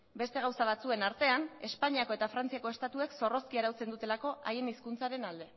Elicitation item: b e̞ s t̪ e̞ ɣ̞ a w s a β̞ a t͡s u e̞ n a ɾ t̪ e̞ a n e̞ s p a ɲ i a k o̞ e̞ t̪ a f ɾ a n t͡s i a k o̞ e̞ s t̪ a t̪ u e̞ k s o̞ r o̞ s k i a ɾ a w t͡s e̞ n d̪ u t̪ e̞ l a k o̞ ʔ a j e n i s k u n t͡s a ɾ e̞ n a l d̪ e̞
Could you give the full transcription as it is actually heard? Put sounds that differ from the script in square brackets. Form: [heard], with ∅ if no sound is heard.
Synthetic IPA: b e̞ s t̪ e̞ ɣ̞ a w s a β̞ a t͡s u e̞ n a ɾ t̪ e̞ a n e̞ s p a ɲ i a k o̞ e̞ t̪ a f ɾ a n t͡s i a k o̞ e̞ s t̪ a t̪ u e̞ k s o̞ r o̞ s k i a ɾ a w t͡s e̞ n d̪ u t̪ e̞ l a k o̞ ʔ a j e n i s k u n t͡s a ɾ e̞ n a l d̪ e̞